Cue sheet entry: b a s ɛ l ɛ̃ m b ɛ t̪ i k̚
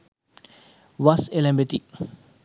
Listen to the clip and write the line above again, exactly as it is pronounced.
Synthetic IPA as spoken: w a s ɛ l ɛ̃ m b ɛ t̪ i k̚